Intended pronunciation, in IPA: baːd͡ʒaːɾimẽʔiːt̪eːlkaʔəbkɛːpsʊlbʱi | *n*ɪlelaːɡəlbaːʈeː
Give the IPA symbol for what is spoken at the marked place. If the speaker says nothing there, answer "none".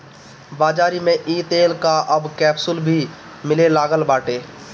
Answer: m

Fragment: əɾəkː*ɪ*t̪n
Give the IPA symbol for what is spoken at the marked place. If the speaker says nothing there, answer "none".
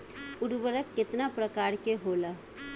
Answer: ɪ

